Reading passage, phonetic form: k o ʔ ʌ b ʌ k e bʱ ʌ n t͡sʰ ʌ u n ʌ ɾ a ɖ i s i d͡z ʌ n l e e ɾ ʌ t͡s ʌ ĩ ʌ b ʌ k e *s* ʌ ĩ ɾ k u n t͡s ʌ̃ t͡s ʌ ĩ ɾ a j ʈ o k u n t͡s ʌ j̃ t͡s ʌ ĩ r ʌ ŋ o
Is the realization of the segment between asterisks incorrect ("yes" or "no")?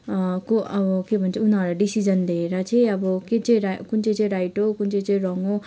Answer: yes